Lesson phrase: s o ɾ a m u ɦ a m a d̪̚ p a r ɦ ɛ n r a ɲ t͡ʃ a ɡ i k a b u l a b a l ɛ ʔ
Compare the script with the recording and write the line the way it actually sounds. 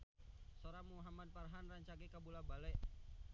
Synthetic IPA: s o ɾ a m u ɦ a m a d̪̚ p a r ɦ a n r a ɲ t͡ʃ a ɡ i k a b u l a b a l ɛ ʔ